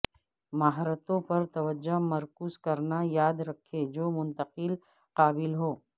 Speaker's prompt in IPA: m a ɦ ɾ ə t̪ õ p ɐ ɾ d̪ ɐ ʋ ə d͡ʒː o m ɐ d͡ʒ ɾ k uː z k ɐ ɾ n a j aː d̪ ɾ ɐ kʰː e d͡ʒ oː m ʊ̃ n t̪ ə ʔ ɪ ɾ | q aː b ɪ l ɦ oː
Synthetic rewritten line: m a ɦ ɾ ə t̪ õ p ɐ ɾ t̪ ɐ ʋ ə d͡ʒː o m ɐ ɾ k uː z k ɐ ɾ n a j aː d̪ ɾ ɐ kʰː e d͡ʒ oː m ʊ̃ n t̪ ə q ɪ l | q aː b ɪ l ɦ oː